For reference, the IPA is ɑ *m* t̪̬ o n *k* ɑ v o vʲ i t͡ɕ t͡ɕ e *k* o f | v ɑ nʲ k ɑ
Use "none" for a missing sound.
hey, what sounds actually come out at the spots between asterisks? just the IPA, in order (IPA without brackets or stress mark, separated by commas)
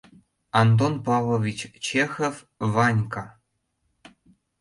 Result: n, p, x